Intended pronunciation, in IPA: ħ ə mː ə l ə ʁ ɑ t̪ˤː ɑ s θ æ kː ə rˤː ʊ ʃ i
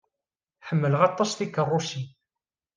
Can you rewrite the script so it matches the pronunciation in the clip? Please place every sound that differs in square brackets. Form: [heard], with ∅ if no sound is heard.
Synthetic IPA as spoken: ħ ə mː ə l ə ʁ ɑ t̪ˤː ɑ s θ [i] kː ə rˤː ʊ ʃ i